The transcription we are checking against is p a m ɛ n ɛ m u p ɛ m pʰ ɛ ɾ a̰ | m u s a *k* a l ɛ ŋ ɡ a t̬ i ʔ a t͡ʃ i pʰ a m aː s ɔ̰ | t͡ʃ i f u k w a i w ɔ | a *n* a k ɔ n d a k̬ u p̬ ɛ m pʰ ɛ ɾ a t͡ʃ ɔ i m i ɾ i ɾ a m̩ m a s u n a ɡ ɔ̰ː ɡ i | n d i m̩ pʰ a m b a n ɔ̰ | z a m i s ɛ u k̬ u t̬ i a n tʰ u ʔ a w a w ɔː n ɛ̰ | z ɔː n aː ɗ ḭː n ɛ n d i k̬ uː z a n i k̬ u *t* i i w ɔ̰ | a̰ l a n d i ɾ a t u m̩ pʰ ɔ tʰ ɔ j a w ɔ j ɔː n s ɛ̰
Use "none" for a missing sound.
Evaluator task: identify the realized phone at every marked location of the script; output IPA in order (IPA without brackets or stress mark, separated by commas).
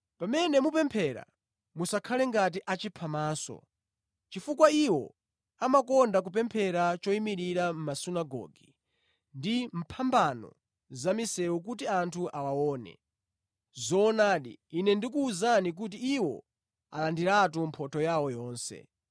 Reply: kʰ, m, t